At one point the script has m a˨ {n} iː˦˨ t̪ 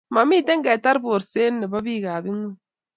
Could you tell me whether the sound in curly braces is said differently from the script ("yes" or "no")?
yes